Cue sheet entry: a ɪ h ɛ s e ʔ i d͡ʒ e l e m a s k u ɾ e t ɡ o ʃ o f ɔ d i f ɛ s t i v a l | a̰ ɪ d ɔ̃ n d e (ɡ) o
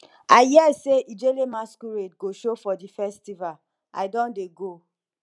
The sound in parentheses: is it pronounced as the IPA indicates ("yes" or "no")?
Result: yes